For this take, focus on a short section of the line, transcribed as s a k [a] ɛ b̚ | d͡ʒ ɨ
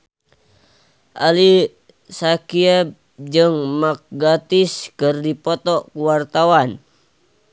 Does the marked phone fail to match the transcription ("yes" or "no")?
yes